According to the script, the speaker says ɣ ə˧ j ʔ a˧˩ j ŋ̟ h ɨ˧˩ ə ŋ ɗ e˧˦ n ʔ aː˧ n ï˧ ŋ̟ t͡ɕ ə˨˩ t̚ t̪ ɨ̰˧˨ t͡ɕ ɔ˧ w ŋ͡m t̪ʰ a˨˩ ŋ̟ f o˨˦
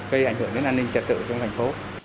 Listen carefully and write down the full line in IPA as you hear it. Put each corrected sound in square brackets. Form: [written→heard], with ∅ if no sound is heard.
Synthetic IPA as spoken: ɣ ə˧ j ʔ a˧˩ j ŋ̟ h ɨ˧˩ ə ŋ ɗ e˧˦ n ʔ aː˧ n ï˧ ŋ̟ t͡ɕ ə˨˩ t̚ t̪ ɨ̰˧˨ t͡ɕ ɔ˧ w ŋ͡m t̪ʰ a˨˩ ŋ̟ f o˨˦